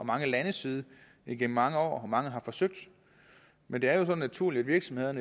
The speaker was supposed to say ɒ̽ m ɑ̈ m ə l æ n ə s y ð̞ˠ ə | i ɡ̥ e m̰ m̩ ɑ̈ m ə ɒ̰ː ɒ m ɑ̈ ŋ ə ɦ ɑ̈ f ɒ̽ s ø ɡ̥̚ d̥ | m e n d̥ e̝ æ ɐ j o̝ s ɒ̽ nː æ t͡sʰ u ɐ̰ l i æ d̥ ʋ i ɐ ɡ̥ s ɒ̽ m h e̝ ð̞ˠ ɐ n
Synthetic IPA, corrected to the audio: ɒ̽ m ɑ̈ ŋ ə l æ n ə s i ð̞ˠ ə | i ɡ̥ e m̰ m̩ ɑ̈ ŋ ə ɒ̰ː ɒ m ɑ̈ ŋ ə ɦ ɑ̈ f ɒ̽ s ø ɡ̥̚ d̥ | m e n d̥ e̝ æ ɐ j o̝ s ɒ̽ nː æ t͡sʰ u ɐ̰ l i æ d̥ ʋ i ɐ ɡ̥ s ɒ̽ m h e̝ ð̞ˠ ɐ n